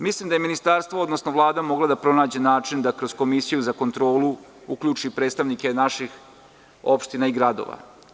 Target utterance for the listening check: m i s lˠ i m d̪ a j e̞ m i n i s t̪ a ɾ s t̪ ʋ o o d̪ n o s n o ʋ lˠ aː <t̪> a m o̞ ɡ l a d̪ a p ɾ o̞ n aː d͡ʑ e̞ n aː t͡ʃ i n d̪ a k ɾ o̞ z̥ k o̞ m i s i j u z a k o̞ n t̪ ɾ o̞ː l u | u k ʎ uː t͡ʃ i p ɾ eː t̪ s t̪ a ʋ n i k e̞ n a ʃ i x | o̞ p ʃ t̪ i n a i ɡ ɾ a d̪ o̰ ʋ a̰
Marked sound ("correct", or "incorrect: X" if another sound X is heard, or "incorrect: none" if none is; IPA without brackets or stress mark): incorrect: d̪